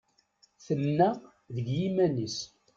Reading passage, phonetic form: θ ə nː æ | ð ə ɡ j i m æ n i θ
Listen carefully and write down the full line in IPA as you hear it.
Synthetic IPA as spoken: θ ə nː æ | ð ə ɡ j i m æ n i s